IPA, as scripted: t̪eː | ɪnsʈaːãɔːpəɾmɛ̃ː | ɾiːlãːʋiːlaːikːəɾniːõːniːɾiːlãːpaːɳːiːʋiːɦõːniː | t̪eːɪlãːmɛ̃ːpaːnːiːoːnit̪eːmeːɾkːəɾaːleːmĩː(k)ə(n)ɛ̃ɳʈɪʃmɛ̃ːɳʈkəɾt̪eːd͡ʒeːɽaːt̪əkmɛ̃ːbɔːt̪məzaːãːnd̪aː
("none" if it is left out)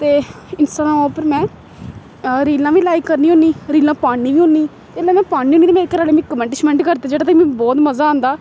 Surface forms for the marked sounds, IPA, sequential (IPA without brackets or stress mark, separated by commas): k, m